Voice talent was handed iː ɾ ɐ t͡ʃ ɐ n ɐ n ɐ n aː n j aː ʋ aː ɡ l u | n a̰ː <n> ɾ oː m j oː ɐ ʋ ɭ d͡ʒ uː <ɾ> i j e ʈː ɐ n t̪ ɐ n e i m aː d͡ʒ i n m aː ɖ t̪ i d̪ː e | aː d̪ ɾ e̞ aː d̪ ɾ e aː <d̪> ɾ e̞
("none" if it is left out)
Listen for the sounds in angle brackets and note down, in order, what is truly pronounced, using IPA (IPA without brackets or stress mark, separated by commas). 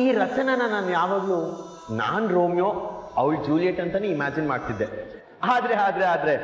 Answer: n, l, d̪